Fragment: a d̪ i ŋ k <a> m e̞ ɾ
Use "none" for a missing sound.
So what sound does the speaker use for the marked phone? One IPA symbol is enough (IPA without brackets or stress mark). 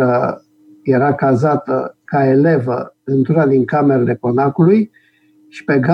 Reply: a